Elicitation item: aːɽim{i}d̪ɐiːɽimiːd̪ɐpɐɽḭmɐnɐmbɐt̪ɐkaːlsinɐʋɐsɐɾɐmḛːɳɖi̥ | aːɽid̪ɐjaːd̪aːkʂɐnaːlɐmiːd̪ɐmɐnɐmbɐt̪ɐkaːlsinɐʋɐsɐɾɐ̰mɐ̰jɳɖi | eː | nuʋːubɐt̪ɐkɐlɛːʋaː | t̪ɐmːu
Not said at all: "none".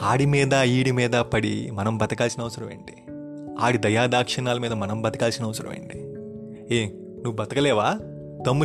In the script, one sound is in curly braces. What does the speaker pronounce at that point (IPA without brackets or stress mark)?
iː